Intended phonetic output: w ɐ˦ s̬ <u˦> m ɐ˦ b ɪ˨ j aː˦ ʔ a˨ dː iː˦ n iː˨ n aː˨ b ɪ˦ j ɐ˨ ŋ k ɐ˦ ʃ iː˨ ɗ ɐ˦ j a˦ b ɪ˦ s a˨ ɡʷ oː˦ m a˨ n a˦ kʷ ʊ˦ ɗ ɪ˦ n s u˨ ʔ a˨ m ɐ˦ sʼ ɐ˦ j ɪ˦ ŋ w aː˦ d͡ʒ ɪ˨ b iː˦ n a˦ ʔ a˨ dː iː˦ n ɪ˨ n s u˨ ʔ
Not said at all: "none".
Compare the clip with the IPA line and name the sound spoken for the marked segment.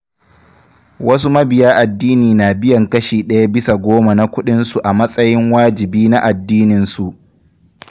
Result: u˦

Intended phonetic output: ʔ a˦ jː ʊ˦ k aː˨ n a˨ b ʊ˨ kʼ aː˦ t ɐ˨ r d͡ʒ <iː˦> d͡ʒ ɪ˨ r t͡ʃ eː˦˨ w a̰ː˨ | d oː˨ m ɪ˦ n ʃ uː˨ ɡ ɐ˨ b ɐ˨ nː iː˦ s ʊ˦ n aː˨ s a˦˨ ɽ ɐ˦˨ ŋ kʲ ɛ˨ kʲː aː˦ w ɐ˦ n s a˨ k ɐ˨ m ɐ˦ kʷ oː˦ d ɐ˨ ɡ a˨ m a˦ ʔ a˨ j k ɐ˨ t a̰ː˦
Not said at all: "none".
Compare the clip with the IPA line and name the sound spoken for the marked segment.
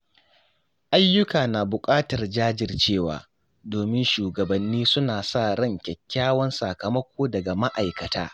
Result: aː˦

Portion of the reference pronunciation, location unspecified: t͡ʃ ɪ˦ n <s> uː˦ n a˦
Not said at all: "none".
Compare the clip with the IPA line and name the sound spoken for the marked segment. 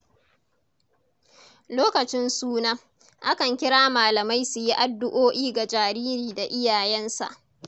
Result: s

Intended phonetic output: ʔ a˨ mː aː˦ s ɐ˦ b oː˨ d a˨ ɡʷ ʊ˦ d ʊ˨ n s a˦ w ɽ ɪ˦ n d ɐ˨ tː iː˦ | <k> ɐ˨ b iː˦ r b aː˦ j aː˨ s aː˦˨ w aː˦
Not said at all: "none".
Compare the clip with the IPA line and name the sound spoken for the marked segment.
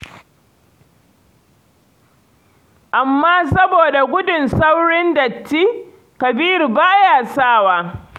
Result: k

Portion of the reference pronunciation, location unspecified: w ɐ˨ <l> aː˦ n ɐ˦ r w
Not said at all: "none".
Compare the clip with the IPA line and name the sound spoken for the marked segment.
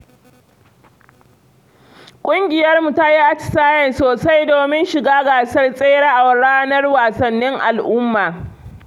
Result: ɽ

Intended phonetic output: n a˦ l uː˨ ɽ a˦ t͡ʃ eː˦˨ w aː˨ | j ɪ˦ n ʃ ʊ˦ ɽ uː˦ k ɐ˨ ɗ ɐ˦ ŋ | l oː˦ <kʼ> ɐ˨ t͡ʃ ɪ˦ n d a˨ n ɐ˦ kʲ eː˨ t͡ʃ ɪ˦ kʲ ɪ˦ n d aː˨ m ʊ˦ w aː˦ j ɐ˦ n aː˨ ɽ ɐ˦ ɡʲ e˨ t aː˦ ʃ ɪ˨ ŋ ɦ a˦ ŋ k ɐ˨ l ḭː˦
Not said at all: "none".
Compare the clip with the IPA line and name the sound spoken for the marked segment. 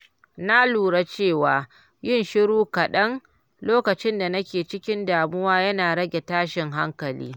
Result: k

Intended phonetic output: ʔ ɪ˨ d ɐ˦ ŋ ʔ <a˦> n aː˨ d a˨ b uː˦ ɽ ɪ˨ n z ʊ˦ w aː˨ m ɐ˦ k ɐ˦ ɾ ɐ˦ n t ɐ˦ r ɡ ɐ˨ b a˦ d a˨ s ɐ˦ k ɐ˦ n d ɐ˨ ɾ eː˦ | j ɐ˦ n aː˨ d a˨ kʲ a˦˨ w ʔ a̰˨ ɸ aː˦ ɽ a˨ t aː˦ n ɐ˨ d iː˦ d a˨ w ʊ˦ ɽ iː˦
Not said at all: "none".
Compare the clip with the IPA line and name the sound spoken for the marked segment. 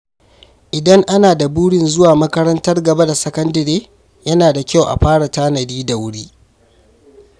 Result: a˦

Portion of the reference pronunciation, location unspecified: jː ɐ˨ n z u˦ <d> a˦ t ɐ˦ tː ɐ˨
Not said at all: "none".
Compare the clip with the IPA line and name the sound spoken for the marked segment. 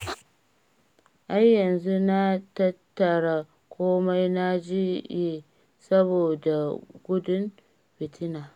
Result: n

